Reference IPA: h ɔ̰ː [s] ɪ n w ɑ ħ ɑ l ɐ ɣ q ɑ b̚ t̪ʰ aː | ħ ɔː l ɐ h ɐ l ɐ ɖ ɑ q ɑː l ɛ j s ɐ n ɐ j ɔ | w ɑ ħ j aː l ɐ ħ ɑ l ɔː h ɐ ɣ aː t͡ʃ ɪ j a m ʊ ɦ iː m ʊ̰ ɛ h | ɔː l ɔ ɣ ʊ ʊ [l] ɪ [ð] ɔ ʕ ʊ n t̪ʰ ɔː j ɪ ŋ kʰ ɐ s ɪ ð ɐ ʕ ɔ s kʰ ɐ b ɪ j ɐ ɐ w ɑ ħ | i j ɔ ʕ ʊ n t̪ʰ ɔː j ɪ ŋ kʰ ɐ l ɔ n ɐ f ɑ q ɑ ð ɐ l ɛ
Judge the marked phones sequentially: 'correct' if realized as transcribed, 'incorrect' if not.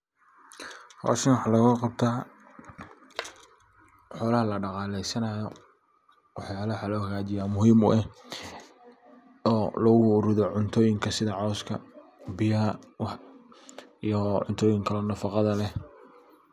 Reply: incorrect, incorrect, correct

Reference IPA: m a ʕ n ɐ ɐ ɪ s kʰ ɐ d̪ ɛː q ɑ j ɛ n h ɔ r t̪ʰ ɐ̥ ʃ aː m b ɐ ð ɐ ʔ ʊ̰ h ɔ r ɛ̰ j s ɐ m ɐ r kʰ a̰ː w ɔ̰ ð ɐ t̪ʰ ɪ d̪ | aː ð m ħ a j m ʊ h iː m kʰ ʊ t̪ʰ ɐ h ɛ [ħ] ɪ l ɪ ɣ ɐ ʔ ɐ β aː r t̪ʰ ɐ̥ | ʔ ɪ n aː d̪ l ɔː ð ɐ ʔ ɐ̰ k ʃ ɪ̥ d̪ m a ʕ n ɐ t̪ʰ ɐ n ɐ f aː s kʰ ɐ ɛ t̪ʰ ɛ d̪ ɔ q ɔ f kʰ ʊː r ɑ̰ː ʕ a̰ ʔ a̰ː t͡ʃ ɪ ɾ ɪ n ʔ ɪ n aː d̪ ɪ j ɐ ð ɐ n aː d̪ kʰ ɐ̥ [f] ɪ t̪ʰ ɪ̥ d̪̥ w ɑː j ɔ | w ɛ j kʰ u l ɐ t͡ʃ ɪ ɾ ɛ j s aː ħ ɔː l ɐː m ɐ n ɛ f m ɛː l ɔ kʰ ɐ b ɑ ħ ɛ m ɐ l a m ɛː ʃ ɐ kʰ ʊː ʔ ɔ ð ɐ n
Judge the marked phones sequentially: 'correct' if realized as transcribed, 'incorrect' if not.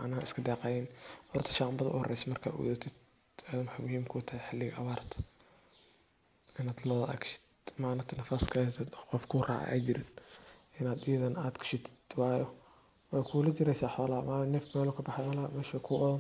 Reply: correct, incorrect

